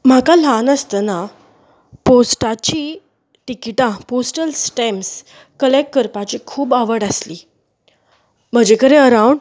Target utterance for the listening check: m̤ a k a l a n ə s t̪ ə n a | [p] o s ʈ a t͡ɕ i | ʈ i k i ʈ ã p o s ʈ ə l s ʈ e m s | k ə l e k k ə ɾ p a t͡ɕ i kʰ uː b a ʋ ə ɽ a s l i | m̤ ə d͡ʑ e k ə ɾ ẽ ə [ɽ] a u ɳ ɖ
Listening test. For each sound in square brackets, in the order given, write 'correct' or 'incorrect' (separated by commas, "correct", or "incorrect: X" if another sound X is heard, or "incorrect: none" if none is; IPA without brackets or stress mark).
correct, incorrect: ɾ